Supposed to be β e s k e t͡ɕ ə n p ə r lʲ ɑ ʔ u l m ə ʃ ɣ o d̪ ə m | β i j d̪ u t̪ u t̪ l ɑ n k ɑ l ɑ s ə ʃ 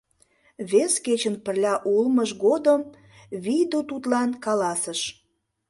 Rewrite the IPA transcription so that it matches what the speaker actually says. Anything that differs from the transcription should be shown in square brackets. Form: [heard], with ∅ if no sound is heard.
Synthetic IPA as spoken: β e s k e t͡ɕ ə n p ə r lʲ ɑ ʔ u l m ə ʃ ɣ o d̪ ə m | β i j d̪ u t̪ u t̪ l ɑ n k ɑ l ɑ s ə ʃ